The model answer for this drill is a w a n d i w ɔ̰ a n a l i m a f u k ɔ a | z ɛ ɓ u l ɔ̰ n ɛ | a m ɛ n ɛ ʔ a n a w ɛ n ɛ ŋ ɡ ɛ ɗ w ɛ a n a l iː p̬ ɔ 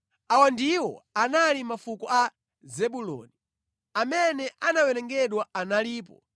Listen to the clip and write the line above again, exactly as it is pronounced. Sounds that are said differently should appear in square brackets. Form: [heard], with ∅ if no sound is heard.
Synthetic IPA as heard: a w a n d i w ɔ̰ a n a l i m a f u k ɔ a | z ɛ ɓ u l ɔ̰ n [i] | a m ɛ n ɛ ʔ a n a w ɛ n ɛ ŋ ɡ ɛ ɗ w [a] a n a l iː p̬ ɔ